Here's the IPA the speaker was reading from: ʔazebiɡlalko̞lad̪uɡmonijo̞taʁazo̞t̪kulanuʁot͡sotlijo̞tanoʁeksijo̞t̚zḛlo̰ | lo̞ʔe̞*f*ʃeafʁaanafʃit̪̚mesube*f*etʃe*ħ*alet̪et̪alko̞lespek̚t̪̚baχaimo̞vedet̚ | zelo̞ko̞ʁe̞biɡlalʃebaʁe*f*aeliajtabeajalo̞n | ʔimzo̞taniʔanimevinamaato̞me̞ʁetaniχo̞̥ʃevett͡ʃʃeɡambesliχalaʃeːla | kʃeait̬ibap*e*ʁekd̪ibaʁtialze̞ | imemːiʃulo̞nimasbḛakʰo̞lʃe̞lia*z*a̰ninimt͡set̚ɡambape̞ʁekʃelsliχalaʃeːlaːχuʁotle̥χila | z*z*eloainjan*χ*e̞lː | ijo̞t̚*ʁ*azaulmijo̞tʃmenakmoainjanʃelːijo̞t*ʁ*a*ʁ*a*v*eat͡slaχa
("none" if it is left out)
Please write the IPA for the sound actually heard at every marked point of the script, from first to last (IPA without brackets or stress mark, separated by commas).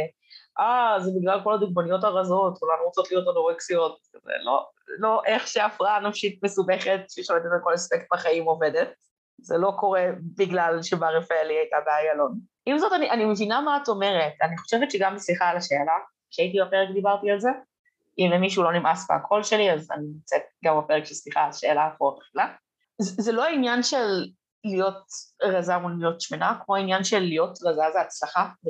χ, χ, ʃ, f, e, z, z, ʃ, ʁ, ʁ, z, z